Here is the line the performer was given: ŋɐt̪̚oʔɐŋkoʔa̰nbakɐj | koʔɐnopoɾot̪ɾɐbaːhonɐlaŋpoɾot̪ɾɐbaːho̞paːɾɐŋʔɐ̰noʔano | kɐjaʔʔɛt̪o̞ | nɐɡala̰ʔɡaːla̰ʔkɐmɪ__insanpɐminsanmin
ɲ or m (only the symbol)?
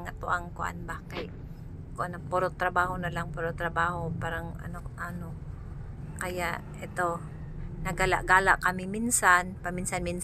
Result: m